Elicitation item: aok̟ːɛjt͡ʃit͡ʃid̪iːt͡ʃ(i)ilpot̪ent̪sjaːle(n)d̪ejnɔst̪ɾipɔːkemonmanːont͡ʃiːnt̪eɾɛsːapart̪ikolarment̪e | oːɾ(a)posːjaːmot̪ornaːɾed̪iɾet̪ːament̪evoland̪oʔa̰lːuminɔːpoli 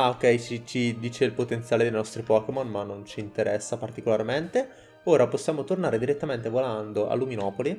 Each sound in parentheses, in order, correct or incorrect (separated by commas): incorrect, incorrect, correct